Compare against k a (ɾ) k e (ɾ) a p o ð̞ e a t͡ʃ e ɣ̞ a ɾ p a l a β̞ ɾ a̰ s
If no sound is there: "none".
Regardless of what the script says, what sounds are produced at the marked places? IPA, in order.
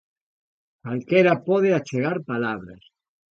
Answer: l, ɾ

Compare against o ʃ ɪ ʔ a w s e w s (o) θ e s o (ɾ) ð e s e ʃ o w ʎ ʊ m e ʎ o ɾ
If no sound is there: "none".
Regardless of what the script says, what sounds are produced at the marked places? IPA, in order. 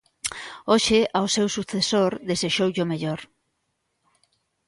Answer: u, ɾ

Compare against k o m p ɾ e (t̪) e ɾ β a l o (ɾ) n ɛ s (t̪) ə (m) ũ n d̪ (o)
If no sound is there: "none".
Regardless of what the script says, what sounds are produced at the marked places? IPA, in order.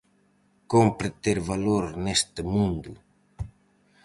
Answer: t̪, ɾ, t̪, m, u

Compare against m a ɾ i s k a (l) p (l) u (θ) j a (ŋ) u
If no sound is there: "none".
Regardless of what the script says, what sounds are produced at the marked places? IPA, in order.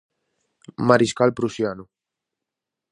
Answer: l, ɾ, s, n

